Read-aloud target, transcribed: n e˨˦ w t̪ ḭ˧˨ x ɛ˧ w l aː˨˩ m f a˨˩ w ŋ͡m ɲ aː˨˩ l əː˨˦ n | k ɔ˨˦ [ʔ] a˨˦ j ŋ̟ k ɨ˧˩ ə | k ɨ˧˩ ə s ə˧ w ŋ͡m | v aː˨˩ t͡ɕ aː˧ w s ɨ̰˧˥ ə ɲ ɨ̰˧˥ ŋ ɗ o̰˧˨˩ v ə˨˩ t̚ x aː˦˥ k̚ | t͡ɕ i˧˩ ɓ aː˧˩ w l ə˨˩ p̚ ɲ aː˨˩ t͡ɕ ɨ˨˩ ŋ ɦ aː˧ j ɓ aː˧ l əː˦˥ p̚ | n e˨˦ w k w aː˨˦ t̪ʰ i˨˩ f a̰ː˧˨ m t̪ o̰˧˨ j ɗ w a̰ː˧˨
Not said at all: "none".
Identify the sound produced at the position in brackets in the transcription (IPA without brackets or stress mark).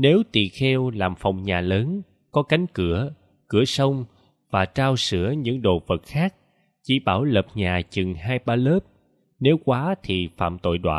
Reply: k